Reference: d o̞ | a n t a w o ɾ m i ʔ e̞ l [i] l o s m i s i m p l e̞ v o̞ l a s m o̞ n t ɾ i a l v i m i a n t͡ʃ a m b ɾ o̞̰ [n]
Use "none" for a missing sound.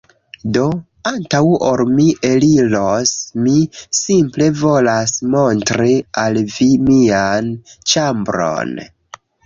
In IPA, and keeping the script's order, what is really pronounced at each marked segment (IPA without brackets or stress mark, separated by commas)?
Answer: i, n